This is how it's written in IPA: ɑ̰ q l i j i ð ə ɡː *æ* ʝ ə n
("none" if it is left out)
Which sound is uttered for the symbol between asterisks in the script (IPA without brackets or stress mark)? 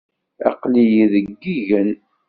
i